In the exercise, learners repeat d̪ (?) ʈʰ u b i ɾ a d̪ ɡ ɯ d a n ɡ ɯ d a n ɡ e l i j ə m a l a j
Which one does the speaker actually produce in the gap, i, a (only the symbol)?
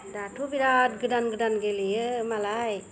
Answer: a